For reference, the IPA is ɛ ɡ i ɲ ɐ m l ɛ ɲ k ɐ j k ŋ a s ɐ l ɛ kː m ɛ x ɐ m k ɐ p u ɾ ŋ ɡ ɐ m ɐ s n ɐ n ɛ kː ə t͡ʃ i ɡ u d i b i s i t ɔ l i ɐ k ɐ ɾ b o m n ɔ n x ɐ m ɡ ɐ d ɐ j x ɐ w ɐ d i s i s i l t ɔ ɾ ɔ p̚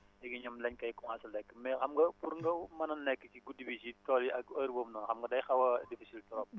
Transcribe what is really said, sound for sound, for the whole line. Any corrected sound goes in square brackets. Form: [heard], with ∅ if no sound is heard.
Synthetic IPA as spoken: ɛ ɡ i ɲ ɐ m l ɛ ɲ k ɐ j k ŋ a s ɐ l ɛ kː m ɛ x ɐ m [ɡ] ɐ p u ɾ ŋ ɡ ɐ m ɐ [∅] n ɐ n ɛ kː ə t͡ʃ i ɡ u d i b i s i t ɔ l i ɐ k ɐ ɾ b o m n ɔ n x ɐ m ɡ ɐ d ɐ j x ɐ w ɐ d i [f] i s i l t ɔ ɾ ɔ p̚